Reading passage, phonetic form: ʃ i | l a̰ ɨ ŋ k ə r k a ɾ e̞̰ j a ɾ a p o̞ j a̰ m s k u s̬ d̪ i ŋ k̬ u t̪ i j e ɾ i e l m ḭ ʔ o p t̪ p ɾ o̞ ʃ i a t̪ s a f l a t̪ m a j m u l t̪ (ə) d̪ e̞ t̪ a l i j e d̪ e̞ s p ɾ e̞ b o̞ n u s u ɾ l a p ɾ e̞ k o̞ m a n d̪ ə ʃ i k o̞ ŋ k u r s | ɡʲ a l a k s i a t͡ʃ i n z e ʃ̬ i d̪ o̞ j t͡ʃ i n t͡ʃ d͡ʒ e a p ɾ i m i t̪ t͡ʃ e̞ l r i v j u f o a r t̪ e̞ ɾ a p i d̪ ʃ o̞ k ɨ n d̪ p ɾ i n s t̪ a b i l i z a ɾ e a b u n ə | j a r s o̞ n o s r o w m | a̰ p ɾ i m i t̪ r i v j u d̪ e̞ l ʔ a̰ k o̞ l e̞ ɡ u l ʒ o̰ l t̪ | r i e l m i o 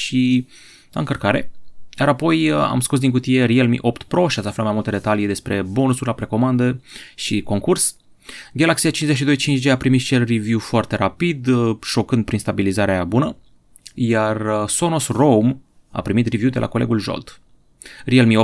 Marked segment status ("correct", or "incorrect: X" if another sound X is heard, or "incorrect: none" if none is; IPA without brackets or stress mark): correct